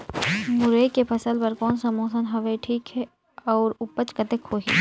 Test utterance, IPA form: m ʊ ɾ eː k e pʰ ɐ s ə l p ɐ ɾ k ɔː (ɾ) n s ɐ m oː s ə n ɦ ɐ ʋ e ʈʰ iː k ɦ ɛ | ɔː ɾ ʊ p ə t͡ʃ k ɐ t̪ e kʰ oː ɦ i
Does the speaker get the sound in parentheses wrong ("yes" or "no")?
yes